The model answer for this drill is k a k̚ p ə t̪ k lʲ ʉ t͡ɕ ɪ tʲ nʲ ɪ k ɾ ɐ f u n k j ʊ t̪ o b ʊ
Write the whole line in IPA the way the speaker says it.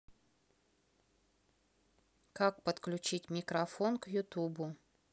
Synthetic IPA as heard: k a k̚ p ə t̪ k lʲ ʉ t͡ɕ i tʲ mʲ ɪ k ɾ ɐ f o n k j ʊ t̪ u b ʊ